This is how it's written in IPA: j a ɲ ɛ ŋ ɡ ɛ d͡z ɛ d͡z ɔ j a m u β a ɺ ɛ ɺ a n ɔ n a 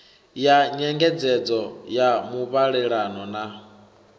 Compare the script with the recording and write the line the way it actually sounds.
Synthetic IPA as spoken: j a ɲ ɛ ŋ ɡ ɛ d͡z ɛ d͡z ɔ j a m u β a ɺ ɛ ɺ a n ɔ n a